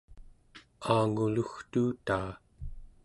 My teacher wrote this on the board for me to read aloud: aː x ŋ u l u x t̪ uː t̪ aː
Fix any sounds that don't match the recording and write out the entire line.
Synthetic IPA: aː ŋ u l u x t̪ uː t̪ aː